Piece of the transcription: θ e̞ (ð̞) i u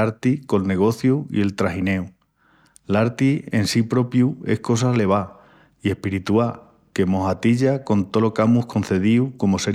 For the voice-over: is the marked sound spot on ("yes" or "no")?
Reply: yes